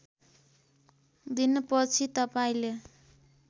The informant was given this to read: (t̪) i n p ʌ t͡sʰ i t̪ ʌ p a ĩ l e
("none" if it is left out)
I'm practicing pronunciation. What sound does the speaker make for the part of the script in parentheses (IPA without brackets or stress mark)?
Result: d̪